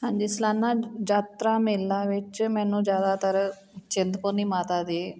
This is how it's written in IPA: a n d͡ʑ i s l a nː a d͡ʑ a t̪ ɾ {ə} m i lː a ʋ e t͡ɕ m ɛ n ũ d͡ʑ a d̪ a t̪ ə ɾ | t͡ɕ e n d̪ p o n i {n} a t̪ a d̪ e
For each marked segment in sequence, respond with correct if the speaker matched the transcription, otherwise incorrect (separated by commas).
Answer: incorrect, incorrect